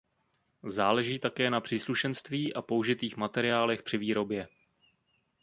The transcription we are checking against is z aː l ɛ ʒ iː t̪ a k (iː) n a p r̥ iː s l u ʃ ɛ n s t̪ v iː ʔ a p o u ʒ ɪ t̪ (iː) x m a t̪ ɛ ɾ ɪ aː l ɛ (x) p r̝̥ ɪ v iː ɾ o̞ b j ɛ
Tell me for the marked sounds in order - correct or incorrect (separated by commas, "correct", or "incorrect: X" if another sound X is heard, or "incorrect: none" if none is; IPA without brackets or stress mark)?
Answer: incorrect: ɛː, correct, correct